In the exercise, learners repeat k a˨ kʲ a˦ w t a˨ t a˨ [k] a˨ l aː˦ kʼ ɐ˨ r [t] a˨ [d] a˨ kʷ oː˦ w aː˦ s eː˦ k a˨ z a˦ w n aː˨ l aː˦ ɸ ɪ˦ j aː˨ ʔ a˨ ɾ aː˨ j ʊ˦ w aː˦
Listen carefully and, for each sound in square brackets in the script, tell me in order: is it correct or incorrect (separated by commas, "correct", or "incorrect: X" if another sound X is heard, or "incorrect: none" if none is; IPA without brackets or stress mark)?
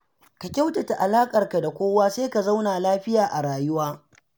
incorrect: ʔ, incorrect: k, correct